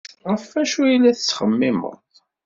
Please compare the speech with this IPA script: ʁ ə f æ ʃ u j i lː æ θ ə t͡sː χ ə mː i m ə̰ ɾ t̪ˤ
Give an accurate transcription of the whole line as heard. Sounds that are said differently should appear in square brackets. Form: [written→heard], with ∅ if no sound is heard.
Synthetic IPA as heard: ʁ ə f æ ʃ u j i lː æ θ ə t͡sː χ ə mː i m ə̰ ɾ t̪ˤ